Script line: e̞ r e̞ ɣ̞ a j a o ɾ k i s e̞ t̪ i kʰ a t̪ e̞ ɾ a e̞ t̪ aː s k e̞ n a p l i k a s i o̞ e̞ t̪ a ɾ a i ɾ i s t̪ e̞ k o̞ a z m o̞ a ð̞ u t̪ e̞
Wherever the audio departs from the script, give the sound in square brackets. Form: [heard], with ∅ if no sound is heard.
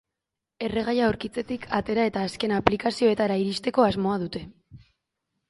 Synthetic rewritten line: e̞ r e̞ ɣ̞ a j a o ɾ k i [t͡s] e̞ t̪ i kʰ a t̪ e̞ ɾ a e̞ t̪ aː s k e̞ n a p l i k a s i o̞ e̞ t̪ a ɾ a i ɾ i s t̪ e̞ k o̞ a z m o̞ a ð̞ u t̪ e̞

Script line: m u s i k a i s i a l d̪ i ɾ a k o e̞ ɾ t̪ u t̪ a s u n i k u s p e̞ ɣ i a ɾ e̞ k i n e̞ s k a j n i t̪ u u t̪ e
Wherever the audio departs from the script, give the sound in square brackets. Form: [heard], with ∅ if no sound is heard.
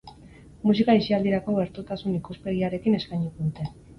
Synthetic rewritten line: m u s i k a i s i a l d̪ i ɾ a k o e̞ ɾ t̪ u t̪ a s u n i k u s p e̞ ɣ i a ɾ e̞ k i n e̞ s k a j [ɲ] i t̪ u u t̪ e

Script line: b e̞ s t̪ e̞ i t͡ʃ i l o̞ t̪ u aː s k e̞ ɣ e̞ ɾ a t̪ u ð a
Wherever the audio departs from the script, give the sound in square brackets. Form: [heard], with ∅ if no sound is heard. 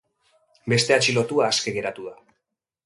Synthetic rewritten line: b e̞ s t̪ e̞ [a] t͡ʃ i l o̞ t̪ u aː s k e̞ ɣ e̞ ɾ a t̪ u ð a

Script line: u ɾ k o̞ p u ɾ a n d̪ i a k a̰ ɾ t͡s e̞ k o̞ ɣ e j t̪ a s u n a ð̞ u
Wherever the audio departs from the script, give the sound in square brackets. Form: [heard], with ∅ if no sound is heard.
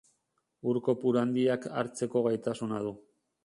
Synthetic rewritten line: u ɾ k o̞ p u ɾ a n d̪ i a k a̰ ɾ t͡s e̞ k o̞ ɣ [a] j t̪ a s u n a ð̞ u

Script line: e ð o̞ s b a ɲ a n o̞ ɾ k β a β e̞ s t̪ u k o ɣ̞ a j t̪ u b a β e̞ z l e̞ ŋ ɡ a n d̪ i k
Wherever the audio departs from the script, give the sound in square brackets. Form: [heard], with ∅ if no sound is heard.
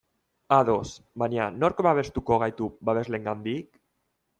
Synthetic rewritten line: [a] ð o̞ s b a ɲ a n o̞ ɾ k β a β e̞ s t̪ u k o ɣ̞ a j t̪ u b a β e̞ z l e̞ ŋ ɡ a n d̪ i k

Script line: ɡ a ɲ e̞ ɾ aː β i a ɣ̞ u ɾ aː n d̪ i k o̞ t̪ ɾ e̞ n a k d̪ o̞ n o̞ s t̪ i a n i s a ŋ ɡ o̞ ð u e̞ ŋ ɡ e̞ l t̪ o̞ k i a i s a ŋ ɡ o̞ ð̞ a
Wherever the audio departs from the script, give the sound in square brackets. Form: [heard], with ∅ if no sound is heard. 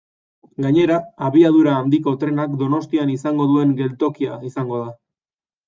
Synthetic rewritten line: ɡ a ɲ e̞ ɾ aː β i a [ð̞] u ɾ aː n d̪ i k o̞ t̪ ɾ e̞ n a k d̪ o̞ n o̞ s t̪ i a n i s a ŋ ɡ o̞ ð u e̞ ŋ ɡ e̞ l t̪ o̞ k i a i s a ŋ ɡ o̞ ð̞ a

